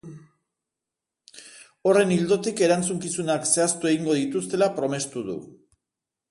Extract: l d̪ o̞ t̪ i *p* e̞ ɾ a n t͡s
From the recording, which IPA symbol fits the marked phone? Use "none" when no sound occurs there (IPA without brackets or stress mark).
k